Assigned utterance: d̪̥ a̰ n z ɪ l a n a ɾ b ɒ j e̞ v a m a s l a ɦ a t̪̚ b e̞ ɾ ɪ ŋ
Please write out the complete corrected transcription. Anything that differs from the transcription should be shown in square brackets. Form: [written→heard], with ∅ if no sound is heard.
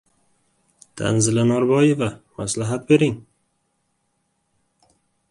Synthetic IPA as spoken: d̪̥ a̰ n z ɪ l a n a ɾ b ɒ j e̞ v a m a s l a ɦ a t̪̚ b e̞ ɾ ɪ ŋ